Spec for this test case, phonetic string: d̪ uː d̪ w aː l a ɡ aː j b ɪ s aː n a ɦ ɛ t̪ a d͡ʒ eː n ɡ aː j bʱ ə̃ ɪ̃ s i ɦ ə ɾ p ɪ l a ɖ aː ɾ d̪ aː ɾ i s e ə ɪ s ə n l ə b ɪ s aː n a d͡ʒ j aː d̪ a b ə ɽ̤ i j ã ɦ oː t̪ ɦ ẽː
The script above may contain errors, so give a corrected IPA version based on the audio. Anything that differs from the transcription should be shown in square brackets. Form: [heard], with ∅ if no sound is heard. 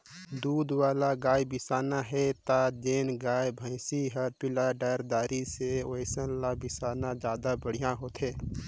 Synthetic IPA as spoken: d̪ uː d̪ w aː l a ɡ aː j b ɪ s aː n a ɦ ɛ t̪ a d͡ʒ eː n ɡ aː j bʱ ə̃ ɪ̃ s i ɦ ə ɾ p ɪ l a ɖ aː ɾ d̪ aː ɾ i s e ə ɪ s ə n l [a] b ɪ s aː n a d͡ʒ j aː d̪ a b ə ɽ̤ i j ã ɦ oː t̪ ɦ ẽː